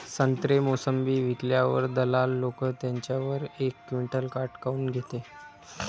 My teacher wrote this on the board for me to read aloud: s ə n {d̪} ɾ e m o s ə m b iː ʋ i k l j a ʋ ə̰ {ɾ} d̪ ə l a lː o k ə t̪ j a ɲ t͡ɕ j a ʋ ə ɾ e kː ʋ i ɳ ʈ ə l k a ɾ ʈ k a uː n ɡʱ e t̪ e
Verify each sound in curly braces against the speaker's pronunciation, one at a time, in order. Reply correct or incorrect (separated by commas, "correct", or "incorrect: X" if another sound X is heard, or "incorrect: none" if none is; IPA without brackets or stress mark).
incorrect: t̪, correct